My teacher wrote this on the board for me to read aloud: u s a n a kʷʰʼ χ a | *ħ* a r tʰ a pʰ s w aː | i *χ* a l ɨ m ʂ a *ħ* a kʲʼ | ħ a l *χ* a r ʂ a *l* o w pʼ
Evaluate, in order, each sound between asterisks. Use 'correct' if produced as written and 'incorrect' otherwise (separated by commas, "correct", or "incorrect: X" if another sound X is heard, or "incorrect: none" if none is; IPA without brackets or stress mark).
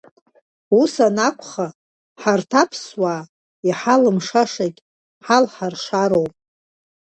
correct, incorrect: ħ, incorrect: ʂ, incorrect: ħ, incorrect: ɾ